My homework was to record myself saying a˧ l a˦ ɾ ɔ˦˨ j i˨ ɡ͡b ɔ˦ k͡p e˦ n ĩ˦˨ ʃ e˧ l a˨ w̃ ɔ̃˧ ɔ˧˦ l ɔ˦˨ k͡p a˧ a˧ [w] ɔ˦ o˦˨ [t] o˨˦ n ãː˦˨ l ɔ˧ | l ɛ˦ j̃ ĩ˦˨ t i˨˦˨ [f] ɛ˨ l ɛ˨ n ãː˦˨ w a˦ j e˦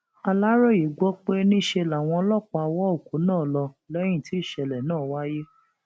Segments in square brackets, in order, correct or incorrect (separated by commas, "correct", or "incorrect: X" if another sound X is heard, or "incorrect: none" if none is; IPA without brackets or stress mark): correct, incorrect: k, incorrect: ʃ